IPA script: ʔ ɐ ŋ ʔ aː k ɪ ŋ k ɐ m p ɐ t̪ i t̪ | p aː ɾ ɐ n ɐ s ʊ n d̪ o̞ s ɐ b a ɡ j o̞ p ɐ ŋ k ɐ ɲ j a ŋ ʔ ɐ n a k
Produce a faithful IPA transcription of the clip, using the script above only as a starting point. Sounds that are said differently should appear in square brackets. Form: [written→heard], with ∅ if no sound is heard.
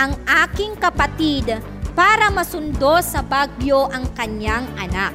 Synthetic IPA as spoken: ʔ ɐ ŋ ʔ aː k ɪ ŋ k ɐ [m→∅] p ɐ t̪ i [t̪→d̪] | p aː ɾ ɐ [n→m] ɐ s ʊ n d̪ o̞ s ɐ b a ɡ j o̞ [p→ʔ] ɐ ŋ k ɐ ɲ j a ŋ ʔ ɐ n a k